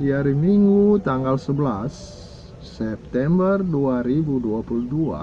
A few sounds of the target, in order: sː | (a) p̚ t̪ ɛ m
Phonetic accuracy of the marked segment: incorrect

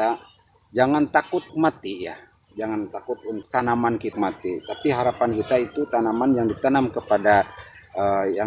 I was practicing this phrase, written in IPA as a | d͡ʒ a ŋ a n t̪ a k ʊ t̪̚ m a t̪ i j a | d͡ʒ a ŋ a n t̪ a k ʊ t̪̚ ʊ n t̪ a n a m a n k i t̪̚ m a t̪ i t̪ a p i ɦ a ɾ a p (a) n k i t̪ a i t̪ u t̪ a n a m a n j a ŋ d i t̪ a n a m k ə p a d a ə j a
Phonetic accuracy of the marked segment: correct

